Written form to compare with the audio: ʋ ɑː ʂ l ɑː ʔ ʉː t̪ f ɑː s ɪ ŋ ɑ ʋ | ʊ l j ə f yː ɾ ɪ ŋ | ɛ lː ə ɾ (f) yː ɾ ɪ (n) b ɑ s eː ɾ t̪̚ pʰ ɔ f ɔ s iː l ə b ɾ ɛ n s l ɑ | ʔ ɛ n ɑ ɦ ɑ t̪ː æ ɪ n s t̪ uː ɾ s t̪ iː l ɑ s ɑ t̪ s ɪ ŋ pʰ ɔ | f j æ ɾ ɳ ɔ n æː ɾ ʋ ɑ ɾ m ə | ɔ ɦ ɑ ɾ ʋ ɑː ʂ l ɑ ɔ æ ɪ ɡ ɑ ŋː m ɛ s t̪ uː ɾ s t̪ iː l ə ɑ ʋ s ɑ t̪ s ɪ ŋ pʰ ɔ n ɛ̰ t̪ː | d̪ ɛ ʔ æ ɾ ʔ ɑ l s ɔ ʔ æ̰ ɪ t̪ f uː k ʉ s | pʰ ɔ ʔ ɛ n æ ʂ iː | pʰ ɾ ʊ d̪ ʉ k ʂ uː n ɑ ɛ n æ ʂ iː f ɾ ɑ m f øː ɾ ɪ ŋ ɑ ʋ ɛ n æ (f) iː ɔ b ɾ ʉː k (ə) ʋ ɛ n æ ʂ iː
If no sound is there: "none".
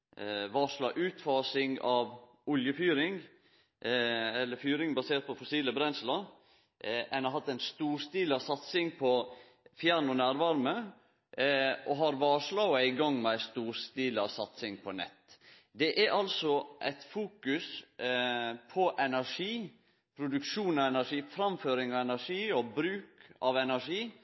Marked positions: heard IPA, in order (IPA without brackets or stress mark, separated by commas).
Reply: f, ŋ, ʂ, ɑ